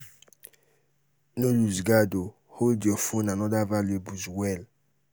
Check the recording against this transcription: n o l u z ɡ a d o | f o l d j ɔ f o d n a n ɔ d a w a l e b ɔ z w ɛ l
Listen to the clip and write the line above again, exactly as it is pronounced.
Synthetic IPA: n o l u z ɡ a d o | h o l d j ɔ f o n a n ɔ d a v a l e b u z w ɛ l